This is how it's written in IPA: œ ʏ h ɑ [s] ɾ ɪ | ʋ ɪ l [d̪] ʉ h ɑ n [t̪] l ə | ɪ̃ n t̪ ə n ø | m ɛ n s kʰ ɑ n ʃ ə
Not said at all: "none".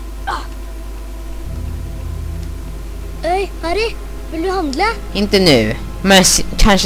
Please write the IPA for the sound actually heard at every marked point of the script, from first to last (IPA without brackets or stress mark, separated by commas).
none, d̪, d̪